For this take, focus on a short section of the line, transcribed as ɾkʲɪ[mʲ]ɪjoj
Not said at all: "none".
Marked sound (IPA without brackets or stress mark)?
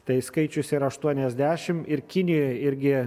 nʲ